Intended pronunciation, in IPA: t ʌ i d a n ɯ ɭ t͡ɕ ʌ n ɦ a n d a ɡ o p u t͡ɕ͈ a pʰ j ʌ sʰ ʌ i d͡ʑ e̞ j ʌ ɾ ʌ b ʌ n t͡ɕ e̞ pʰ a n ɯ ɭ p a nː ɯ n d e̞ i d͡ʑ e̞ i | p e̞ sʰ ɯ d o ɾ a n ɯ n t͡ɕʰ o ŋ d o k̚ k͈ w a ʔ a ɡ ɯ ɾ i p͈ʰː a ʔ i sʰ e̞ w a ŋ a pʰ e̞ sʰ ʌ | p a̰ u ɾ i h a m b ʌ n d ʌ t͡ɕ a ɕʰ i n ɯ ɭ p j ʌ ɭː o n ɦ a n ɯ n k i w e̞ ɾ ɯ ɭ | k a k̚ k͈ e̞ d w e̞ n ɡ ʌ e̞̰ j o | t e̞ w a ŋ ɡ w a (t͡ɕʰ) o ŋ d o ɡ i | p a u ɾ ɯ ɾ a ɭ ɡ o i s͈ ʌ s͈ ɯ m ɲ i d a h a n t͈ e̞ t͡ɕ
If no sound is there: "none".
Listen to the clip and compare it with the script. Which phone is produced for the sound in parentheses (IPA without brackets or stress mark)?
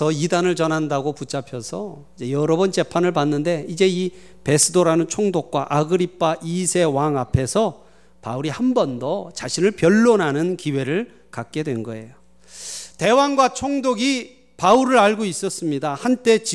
t͡ɕʰ